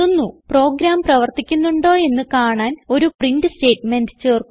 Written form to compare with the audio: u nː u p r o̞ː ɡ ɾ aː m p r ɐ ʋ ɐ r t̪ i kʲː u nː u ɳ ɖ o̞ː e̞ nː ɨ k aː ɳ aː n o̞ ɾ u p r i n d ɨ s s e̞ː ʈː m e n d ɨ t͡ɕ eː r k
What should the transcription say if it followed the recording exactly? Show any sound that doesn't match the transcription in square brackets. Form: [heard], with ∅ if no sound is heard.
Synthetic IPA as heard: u nː u p r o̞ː ɡ ɾ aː m p r ɐ ʋ ɐ r t̪ i kʲː u nː u ɳ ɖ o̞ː e̞ nː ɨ k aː ɳ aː n o̞ ɾ u p r i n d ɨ s [t] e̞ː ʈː m e n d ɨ t͡ɕ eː r k